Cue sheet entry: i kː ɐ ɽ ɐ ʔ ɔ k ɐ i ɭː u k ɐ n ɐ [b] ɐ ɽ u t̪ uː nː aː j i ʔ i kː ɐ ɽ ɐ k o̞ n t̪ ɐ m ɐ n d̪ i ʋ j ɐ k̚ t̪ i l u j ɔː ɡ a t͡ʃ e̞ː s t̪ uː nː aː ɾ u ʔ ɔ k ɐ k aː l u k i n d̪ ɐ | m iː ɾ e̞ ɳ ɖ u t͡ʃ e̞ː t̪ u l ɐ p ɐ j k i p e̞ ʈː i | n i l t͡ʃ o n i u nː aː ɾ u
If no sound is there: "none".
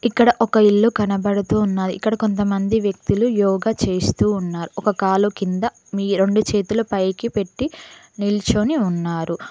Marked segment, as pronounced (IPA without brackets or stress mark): b